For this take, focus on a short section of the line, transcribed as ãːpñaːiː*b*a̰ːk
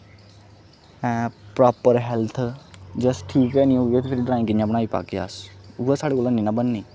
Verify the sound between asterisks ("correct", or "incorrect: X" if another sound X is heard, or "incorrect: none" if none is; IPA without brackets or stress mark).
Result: incorrect: p